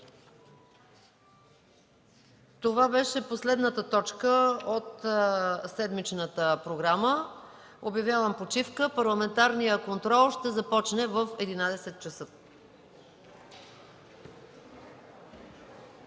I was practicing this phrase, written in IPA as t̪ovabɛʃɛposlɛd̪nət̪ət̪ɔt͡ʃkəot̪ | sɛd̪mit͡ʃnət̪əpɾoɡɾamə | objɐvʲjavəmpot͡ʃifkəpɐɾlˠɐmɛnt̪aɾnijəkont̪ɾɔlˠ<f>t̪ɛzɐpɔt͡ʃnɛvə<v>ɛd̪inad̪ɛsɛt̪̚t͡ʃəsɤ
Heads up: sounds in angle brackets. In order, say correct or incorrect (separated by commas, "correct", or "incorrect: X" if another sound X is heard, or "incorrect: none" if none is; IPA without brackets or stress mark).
incorrect: ʃ, incorrect: f